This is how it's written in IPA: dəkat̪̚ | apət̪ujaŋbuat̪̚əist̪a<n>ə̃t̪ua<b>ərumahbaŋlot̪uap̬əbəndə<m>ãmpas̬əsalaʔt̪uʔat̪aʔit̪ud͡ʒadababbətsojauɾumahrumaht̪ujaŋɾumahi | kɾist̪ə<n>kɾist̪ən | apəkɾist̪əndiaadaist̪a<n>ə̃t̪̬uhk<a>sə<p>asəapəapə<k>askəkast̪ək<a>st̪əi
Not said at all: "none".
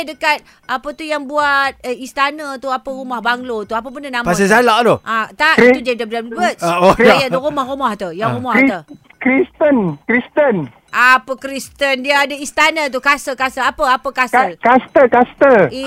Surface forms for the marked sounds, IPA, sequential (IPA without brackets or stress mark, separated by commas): n, p, n, n, n, a, k, k, a